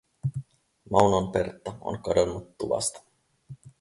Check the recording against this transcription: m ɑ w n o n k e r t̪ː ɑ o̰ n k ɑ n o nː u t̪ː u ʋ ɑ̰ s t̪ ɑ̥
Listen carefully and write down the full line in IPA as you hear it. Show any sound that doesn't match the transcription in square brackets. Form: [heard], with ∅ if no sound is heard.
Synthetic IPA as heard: m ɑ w n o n [p] e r t̪ː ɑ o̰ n k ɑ [d] o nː u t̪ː u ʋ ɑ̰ s t̪ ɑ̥